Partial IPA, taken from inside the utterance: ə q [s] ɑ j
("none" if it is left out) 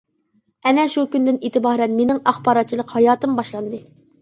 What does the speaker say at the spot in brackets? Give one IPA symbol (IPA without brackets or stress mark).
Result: h